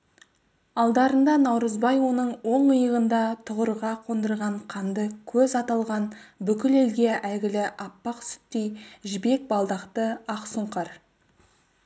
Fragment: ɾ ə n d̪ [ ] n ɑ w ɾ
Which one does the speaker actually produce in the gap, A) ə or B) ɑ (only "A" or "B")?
B